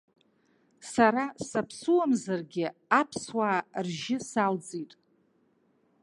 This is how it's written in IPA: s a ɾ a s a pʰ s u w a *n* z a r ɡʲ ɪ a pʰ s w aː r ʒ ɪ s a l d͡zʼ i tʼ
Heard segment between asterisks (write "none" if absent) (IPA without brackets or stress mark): m